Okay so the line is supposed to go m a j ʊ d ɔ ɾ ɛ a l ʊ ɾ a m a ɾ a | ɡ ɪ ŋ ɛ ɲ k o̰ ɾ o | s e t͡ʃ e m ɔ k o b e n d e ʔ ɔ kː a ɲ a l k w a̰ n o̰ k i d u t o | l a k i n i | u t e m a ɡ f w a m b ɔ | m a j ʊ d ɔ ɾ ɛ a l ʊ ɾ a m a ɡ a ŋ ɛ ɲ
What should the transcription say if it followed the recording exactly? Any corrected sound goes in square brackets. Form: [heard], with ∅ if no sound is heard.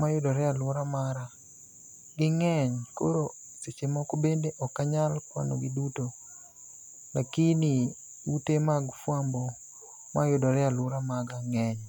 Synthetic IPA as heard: m a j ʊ d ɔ ɾ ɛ a l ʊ ɾ a m a ɾ a | ɡ ɪ ŋ ɛ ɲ k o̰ ɾ o | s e t͡ʃ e m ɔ k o b e n d e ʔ ɔ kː a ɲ a l k w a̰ n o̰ [ɡ] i d u t o | l a k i n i | u t e m a ɡ f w a m b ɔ | m a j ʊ d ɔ ɾ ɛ a l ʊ ɾ a m a ɡ a ŋ ɛ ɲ